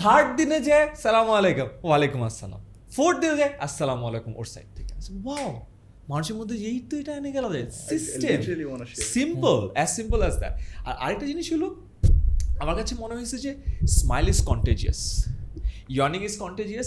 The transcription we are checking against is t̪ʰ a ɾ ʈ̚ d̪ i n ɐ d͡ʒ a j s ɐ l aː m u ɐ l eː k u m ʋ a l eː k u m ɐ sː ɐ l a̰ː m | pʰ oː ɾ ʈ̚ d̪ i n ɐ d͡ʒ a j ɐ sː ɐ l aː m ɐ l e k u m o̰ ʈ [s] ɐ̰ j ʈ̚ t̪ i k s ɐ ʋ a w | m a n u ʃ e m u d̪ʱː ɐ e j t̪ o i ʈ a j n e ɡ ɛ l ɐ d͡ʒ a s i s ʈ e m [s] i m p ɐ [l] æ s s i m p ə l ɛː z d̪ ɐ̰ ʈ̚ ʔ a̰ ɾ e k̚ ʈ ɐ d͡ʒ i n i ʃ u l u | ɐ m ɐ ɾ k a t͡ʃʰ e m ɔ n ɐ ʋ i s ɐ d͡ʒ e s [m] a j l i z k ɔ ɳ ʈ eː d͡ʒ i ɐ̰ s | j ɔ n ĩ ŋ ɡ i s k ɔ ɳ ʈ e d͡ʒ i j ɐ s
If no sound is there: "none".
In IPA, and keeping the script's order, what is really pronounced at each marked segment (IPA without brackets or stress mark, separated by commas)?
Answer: s, s, l, m